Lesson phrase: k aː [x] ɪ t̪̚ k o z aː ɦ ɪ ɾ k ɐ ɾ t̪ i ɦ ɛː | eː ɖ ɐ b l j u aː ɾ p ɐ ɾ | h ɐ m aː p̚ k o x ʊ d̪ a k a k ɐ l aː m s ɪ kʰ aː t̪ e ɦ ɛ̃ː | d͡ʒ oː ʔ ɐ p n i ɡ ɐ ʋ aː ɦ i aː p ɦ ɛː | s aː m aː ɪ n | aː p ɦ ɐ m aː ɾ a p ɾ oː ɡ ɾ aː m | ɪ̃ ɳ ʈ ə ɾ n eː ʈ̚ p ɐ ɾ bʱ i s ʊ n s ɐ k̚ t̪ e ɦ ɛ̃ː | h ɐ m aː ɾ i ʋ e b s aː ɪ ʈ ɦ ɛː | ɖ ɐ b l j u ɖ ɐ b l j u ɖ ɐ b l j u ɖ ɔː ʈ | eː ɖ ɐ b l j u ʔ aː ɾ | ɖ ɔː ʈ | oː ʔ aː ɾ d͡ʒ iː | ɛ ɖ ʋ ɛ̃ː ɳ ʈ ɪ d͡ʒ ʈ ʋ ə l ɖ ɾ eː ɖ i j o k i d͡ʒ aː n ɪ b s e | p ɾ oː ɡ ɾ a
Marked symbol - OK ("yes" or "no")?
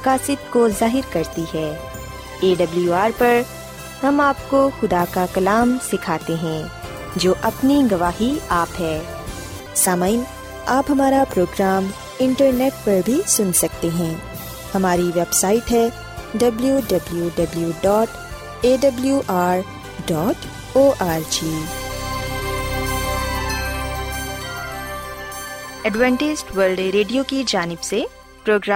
no